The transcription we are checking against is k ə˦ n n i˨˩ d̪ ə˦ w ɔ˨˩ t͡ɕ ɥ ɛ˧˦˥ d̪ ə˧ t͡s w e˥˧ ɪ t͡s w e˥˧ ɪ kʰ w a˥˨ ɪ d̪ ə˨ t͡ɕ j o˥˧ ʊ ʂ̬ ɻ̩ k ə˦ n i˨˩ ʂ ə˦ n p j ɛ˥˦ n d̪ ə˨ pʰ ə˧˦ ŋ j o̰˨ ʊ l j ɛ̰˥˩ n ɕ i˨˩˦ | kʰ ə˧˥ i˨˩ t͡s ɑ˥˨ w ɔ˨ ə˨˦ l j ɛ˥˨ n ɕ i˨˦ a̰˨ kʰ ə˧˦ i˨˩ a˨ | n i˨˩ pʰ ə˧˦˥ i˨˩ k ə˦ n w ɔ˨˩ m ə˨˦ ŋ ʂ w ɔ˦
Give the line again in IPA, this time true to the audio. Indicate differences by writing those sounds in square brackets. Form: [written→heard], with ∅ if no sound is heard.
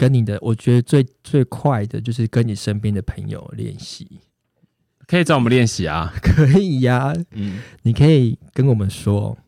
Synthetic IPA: k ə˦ n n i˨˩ d̪ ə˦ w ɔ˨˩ t͡ɕ ɥ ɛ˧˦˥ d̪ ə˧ t͡s w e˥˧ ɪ t͡s w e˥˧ ɪ kʰ w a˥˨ ɪ d̪ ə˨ t͡ɕ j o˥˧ ʊ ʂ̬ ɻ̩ k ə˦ n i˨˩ ʂ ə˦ n p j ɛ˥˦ n d̪ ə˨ pʰ ə˧˦ ŋ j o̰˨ ʊ l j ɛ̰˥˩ n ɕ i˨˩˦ | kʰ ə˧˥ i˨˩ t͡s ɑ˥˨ w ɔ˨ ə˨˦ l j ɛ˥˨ n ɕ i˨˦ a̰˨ kʰ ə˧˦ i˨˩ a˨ | n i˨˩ [pʰ→kʰ] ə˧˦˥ i˨˩ k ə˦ n w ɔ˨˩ m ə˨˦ [ŋ→n] ʂ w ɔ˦